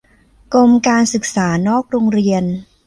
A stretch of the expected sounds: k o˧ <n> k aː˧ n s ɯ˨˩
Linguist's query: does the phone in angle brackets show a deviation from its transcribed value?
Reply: yes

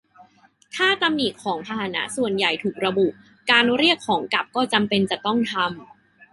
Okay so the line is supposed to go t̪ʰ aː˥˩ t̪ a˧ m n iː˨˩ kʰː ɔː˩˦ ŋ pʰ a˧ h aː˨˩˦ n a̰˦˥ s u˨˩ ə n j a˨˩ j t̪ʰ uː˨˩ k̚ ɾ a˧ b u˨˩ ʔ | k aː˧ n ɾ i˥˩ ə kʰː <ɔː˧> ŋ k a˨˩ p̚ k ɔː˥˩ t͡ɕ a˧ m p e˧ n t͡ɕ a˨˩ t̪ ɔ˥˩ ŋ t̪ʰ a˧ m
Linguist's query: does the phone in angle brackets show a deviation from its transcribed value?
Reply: yes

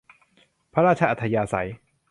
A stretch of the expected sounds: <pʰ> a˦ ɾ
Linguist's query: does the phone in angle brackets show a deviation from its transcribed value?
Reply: no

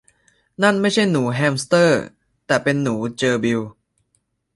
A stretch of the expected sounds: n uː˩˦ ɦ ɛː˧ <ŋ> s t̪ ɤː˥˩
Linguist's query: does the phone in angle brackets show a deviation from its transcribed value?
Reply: yes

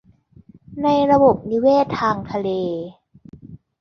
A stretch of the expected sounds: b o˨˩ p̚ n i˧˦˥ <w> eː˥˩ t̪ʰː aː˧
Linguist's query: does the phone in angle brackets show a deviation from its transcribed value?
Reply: no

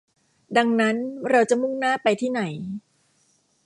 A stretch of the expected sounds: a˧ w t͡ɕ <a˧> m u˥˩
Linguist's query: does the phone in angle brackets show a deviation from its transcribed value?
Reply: yes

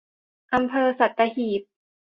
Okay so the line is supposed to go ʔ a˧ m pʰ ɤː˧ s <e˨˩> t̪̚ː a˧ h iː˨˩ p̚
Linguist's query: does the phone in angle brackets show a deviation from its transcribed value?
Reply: yes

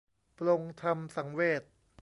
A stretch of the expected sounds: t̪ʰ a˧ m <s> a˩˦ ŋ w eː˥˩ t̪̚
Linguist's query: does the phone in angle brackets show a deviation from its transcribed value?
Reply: no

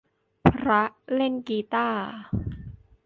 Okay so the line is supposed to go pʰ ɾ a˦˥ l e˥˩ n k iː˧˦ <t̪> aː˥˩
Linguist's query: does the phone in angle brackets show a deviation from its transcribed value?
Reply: no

